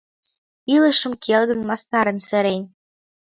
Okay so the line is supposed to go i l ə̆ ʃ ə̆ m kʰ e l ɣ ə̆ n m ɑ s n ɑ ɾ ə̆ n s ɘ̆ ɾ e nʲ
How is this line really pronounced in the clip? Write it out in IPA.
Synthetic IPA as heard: i l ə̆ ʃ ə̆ m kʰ e l ɣ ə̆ n m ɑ s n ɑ ɾ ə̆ n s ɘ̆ ɾ e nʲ